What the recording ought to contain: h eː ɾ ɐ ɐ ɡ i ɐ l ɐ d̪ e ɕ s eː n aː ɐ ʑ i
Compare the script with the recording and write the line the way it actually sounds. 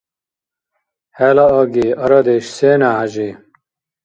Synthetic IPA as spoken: h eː l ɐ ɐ ɡ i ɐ ɾ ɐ d̪ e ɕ s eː n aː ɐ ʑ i